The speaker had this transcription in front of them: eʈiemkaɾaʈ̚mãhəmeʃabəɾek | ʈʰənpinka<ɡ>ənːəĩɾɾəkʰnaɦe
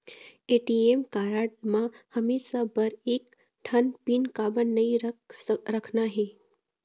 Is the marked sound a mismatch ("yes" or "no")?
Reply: yes